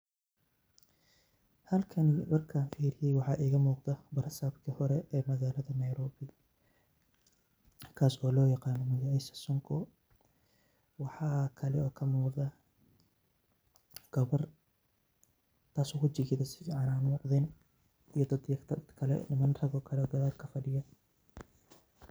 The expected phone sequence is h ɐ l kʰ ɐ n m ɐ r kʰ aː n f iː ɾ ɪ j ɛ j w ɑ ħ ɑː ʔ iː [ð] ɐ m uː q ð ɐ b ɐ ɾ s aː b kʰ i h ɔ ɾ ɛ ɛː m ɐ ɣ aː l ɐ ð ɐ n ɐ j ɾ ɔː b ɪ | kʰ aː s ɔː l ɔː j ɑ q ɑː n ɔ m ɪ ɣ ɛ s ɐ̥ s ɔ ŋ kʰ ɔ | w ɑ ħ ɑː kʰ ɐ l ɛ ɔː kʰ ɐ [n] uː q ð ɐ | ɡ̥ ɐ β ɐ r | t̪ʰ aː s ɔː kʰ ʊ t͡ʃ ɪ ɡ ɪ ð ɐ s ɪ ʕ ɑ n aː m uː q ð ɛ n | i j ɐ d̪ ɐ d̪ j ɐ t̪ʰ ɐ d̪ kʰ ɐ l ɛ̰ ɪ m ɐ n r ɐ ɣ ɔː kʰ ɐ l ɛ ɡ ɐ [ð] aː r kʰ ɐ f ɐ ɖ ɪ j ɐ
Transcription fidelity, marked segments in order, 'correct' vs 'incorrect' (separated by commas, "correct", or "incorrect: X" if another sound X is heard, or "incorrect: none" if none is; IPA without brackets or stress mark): incorrect: ɣ, incorrect: m, correct